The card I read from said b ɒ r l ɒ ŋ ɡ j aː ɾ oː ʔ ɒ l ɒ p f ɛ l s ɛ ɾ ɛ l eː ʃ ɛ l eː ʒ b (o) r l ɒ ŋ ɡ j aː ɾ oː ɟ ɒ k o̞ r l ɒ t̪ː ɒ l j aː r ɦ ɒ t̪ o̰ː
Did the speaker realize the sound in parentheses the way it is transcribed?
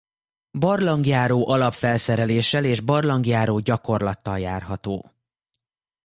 no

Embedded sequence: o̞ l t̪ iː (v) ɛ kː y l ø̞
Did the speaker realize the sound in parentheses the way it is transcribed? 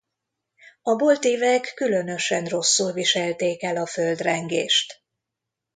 yes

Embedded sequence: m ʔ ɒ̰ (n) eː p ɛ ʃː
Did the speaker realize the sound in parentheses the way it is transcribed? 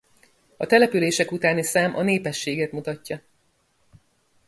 yes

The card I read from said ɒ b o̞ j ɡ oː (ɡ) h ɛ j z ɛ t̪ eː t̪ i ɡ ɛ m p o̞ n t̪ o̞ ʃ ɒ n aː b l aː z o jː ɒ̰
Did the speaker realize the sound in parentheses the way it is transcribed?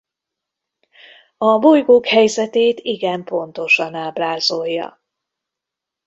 no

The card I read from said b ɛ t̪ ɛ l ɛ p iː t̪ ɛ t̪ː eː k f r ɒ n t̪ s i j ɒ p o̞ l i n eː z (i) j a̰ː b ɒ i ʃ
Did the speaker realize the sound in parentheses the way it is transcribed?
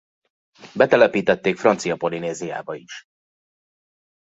yes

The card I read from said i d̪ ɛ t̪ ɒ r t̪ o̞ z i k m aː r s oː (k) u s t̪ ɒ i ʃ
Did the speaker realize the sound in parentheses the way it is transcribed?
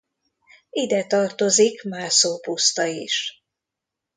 no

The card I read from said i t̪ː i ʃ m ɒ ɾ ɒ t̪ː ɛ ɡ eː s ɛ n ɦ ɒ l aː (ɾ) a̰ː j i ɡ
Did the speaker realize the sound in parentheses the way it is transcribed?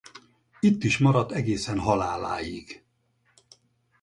no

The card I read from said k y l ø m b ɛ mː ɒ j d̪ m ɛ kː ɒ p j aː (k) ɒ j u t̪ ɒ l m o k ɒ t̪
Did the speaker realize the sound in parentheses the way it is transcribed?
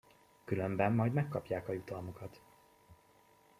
yes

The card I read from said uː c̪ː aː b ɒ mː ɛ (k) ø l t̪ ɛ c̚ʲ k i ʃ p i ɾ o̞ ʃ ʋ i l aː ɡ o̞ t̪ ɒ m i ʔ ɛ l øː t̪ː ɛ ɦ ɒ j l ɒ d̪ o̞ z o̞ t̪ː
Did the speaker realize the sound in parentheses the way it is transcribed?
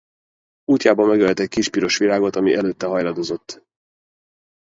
no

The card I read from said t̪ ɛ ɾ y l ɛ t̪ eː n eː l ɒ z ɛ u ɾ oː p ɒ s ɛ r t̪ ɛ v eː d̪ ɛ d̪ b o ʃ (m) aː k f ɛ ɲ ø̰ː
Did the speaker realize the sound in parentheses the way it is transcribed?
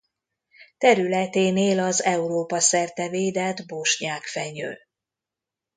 no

